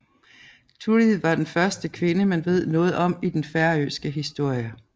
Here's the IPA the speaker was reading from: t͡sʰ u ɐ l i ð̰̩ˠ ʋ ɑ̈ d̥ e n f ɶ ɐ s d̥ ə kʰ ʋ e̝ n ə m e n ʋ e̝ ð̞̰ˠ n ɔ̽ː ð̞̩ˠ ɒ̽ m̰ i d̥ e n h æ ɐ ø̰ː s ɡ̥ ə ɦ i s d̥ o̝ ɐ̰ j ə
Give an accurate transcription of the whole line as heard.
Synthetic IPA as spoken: t͡sʰ u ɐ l i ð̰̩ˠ ʋ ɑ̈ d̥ e n f ɶ ɐ s d̥ ə kʰ ʋ e̝ n ə m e n ʋ e̝ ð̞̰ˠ n ɔ̽ː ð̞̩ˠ ɒ̽ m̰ i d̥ e n f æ ɐ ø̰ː s ɡ̥ ə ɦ i s d̥ o̝ ɐ̰ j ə